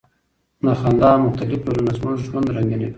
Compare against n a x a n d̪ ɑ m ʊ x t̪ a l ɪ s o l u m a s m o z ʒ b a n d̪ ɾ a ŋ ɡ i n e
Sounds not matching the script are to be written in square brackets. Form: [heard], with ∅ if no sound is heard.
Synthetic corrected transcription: n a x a n d̪ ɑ m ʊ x t̪ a l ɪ [f] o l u [n] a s m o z ʒ [w] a n d̪ ɾ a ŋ ɡ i n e